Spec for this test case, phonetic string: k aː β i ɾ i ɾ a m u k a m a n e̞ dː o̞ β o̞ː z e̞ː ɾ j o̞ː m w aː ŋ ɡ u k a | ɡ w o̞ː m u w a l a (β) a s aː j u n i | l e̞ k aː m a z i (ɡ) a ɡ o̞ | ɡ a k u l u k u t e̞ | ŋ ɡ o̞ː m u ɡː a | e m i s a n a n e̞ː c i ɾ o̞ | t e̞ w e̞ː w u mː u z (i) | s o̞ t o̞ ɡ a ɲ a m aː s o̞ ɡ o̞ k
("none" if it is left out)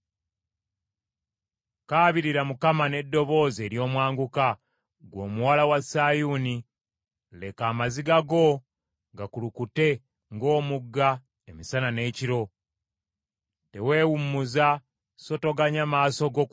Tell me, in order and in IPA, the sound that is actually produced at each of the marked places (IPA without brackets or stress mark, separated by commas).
w, ɡ, a